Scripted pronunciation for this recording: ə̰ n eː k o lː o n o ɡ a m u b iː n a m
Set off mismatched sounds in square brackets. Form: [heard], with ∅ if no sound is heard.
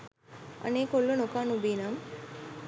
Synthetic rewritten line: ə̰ n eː k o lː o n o [k] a [n] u b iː n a m